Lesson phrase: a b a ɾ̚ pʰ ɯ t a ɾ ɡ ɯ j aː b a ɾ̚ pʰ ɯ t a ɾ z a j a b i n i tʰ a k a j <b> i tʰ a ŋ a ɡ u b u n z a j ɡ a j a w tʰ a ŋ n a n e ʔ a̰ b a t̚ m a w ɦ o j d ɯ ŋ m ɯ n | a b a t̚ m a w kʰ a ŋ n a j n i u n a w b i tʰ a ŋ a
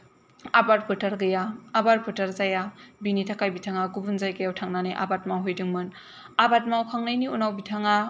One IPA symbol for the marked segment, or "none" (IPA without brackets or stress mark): b